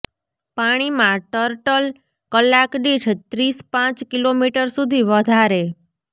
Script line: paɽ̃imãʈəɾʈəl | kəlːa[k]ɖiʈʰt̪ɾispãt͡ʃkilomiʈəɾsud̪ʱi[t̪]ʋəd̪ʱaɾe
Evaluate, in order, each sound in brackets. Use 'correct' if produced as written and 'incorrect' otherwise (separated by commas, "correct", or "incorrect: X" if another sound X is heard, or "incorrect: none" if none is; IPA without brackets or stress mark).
correct, incorrect: none